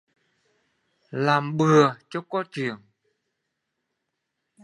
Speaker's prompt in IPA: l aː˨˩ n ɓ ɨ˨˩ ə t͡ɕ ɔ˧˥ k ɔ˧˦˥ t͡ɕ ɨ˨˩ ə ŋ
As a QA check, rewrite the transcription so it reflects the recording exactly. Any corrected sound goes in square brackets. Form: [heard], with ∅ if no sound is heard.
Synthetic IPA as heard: l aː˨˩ [m] ɓ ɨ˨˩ ə t͡ɕ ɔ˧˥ k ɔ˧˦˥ t͡ɕ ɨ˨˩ ə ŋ